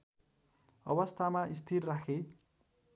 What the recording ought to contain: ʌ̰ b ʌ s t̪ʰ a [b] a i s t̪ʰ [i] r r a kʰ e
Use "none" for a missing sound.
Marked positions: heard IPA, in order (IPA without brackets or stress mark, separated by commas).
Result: m, i